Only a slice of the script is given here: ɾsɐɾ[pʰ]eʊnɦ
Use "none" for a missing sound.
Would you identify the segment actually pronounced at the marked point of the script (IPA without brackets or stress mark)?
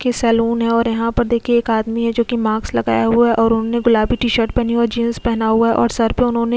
p